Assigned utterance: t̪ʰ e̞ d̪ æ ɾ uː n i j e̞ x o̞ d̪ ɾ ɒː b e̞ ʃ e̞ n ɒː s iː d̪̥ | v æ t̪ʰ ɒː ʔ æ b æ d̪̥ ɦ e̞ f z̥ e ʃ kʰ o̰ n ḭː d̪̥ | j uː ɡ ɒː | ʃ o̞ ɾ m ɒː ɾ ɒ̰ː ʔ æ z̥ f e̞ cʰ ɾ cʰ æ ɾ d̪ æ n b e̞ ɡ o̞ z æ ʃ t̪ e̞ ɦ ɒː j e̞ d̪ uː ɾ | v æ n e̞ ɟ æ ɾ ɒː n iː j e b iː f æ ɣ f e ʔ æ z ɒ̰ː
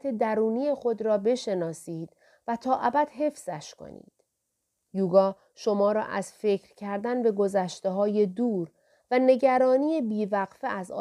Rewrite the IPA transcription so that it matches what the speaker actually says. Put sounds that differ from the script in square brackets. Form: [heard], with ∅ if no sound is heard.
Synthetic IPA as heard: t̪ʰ e̞ d̪ æ ɾ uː n i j e̞ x o̞ d̪ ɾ ɒː b e̞ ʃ e̞ n ɒː s iː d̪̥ | v æ t̪ʰ ɒː ʔ æ b æ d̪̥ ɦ e̞ f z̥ [æ] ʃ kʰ o̰ n ḭː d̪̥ | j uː ɡ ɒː | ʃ o̞ [∅] m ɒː ɾ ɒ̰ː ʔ æ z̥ f e̞ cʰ ɾ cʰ æ ɾ d̪ æ n b e̞ ɡ o̞ z æ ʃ t̪ e̞ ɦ ɒː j e̞ d̪ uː ɾ | v æ n e̞ ɟ æ ɾ ɒː n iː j e b iː [v] æ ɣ f e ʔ æ z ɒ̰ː